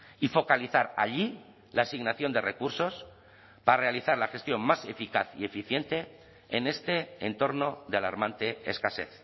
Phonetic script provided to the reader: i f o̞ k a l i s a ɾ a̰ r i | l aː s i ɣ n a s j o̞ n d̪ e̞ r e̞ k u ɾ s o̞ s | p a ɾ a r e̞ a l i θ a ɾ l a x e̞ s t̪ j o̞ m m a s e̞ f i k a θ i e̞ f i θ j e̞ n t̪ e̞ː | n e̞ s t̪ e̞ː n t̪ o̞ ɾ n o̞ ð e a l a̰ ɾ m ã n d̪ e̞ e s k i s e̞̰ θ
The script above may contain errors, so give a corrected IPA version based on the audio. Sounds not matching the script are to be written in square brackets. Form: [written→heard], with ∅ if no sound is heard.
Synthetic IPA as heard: i f o̞ k a l i [s→θ] a ɾ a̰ [r→ʎ] i | l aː s i ɣ n a [s→θ] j o̞ n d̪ e̞ r e̞ k u ɾ s o̞ s | p a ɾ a r e̞ a l i θ a ɾ l a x e̞ s t̪ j o̞ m m a s e̞ f i k a θ i e̞ f i θ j e̞ n t̪ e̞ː | n e̞ s t̪ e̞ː n t̪ o̞ ɾ n o̞ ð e a l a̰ ɾ m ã n [d̪→t̪] e̞ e s k [i→a] s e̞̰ θ